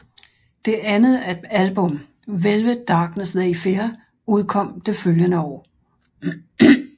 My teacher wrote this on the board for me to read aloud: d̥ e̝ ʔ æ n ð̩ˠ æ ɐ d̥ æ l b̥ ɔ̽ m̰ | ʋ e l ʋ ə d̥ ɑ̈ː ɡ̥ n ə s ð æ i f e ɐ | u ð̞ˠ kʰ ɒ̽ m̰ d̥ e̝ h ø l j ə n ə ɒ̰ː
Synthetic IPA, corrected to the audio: d̥ e̝ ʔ æ n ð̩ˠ æ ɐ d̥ æ l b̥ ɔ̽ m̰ | ʋ e l ʋ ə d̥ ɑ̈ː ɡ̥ n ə s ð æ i f e ɐ | u ð̞ˠ kʰ ɒ̽ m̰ d̥ e̝ f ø l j ə n ə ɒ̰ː